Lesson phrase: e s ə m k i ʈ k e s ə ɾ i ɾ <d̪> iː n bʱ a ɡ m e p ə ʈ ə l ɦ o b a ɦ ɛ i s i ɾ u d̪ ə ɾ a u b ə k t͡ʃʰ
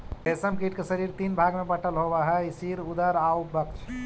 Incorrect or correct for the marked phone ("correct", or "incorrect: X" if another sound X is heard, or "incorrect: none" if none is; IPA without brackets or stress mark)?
incorrect: t̪